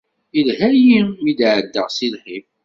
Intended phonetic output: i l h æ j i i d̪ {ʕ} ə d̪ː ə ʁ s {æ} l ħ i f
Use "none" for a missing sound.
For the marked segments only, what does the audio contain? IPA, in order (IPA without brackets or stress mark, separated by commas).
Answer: ʕ, i